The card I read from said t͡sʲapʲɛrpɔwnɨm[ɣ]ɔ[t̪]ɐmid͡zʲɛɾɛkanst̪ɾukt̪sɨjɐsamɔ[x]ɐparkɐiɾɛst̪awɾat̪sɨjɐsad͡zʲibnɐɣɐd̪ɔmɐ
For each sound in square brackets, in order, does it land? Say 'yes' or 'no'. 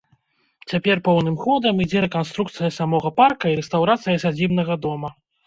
no, no, no

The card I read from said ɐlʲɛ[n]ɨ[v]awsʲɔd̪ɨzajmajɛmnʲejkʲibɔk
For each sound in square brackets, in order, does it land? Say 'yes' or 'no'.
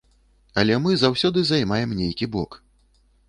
no, no

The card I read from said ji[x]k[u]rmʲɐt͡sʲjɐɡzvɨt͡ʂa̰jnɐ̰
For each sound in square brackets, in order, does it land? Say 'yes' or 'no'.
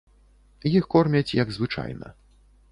yes, no

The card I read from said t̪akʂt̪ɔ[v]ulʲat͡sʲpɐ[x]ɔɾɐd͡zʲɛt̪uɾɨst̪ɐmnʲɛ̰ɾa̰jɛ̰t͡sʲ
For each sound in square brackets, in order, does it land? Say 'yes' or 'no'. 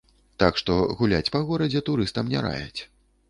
no, no

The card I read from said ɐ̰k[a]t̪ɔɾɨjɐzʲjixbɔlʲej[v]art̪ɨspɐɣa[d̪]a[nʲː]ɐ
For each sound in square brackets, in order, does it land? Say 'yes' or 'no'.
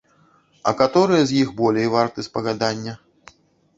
yes, yes, yes, yes

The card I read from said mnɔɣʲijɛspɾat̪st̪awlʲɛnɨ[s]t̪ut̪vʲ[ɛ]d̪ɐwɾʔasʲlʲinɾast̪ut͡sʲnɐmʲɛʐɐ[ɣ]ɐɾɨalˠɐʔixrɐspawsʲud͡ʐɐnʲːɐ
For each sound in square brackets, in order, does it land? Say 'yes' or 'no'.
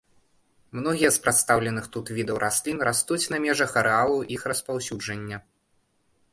no, no, no

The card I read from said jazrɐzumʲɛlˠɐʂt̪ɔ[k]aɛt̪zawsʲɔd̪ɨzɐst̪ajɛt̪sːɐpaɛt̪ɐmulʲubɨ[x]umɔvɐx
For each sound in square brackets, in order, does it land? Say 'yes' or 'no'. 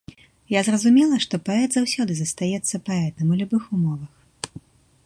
no, yes

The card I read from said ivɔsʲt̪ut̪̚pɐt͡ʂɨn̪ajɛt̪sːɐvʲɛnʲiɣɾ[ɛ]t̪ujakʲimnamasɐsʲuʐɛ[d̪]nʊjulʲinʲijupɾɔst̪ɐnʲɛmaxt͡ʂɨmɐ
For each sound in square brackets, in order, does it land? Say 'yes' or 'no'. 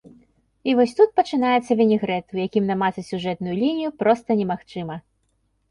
yes, no

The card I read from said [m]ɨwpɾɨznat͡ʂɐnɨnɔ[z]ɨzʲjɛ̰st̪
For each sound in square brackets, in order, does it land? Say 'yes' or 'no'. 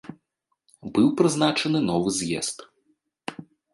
no, no

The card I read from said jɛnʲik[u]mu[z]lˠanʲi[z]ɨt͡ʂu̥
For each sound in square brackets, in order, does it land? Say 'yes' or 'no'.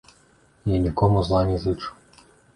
no, yes, yes

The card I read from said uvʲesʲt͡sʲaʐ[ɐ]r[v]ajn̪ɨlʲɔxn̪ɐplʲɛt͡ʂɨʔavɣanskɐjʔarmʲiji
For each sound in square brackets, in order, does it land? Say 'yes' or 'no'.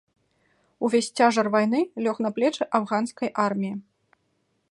yes, yes

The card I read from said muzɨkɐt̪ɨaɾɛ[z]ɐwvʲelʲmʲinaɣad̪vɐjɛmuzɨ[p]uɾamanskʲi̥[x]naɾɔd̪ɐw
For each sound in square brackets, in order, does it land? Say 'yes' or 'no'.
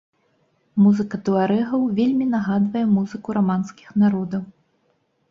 no, no, yes

